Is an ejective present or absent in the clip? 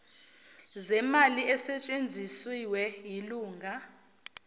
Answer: present